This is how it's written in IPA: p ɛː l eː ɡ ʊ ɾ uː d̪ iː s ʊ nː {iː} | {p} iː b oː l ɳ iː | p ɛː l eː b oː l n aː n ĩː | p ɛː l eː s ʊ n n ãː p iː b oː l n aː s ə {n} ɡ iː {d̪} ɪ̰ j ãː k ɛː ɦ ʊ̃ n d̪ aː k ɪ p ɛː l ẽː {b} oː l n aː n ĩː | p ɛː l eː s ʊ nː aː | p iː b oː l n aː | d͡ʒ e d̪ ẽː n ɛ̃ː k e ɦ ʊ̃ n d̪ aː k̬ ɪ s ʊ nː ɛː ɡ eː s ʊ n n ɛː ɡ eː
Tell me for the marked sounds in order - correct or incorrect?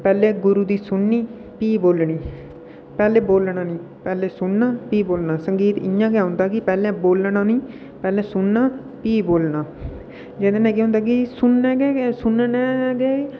correct, correct, incorrect, incorrect, correct

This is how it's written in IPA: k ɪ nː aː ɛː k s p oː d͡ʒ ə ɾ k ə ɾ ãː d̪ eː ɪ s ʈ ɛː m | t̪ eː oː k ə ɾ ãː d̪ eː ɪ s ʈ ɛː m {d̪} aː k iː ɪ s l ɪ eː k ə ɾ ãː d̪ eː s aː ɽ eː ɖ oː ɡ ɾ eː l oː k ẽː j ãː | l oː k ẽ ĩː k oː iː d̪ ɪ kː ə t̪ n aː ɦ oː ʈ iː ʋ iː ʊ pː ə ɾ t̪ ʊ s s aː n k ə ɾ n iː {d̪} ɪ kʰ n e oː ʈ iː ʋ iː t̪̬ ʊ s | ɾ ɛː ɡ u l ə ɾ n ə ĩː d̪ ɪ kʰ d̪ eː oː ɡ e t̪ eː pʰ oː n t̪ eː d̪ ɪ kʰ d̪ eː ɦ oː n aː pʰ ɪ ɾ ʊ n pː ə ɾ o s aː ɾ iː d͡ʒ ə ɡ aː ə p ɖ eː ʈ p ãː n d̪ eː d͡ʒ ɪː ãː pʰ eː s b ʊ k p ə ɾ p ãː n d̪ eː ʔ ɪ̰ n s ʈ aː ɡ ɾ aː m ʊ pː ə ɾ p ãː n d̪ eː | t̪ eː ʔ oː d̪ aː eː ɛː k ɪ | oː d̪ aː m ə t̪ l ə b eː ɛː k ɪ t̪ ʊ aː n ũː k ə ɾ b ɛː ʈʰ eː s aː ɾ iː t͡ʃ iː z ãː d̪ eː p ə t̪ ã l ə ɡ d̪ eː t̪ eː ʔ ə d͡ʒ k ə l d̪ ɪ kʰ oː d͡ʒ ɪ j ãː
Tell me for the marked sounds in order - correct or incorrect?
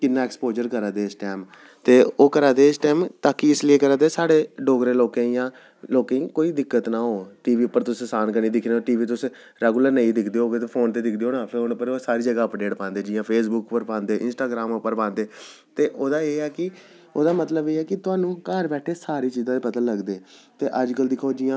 incorrect, correct

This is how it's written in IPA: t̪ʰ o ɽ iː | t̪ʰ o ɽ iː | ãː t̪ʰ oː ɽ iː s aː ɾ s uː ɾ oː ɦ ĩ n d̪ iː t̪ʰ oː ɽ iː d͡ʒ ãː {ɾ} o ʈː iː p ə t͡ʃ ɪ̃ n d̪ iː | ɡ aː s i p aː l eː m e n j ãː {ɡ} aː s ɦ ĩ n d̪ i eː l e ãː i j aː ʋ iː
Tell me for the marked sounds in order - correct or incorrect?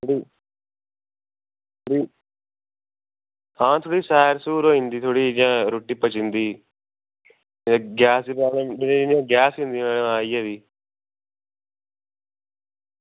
correct, correct

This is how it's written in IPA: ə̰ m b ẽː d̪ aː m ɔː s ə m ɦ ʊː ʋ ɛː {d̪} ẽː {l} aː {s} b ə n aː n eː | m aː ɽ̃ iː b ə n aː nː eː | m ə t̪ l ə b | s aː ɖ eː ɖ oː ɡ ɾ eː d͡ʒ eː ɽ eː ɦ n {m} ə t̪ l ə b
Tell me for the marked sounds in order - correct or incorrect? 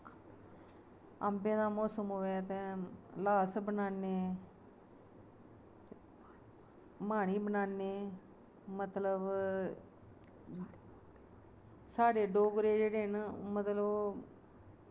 incorrect, correct, correct, correct

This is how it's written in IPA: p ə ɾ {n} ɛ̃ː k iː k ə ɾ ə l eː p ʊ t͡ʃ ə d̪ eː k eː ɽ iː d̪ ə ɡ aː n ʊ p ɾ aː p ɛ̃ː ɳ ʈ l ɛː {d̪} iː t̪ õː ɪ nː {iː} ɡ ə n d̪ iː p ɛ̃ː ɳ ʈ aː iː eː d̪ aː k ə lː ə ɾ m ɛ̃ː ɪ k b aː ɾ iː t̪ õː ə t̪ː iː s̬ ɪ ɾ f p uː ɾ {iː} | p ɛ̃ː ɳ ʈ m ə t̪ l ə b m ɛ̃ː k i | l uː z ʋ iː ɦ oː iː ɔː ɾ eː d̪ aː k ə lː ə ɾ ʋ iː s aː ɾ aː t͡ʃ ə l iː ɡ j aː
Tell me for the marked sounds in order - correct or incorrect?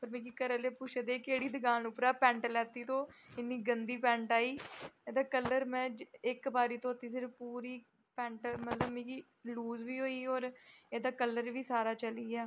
incorrect, incorrect, correct, correct

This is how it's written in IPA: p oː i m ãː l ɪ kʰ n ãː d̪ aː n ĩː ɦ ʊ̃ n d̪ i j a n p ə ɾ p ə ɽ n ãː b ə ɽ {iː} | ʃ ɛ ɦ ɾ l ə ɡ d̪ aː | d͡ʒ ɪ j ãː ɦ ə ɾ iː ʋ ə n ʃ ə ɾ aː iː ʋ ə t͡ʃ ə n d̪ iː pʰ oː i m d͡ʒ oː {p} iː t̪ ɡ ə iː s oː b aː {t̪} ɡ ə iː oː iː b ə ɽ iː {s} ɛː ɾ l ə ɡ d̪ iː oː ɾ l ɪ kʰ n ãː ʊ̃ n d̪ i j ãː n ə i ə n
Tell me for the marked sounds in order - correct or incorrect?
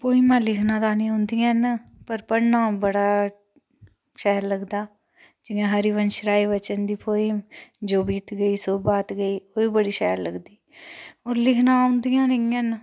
incorrect, incorrect, correct, incorrect

